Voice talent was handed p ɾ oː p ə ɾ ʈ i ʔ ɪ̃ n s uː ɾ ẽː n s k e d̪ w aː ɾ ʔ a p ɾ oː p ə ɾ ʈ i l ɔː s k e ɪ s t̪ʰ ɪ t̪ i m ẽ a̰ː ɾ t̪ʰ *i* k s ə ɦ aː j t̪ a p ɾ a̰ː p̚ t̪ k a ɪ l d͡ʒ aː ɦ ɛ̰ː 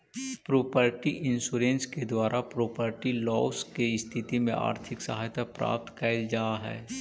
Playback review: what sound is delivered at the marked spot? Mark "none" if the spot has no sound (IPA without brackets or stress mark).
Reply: ɪ